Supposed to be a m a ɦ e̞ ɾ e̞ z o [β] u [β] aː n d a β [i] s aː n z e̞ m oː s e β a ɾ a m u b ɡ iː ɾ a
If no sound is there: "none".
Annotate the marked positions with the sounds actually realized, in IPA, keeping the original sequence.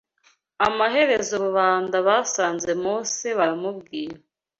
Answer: β, β, a

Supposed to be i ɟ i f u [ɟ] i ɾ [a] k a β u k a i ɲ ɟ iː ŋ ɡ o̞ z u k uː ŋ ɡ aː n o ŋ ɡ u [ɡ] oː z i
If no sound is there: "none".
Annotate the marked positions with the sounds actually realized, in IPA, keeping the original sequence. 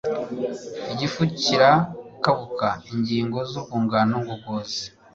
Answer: c, a, ɡ

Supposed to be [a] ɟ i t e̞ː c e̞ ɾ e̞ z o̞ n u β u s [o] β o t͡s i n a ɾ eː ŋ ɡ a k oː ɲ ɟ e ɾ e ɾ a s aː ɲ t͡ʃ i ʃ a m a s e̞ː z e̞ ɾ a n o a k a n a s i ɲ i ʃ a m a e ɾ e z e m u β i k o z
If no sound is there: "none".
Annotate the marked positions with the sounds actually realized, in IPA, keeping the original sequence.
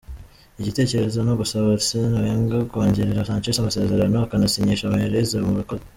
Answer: i, o

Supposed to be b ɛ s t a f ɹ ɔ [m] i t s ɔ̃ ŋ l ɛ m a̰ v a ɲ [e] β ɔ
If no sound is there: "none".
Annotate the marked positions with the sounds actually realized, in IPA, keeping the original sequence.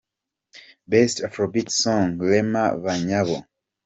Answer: b, a

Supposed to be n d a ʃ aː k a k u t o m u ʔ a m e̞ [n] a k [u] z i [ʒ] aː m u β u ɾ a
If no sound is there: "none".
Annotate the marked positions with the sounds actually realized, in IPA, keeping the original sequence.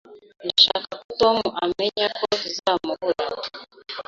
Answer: ɲ, o, z

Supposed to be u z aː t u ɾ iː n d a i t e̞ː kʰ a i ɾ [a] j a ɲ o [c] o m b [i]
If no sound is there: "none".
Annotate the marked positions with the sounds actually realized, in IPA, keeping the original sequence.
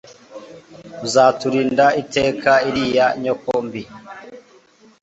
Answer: i, k, i

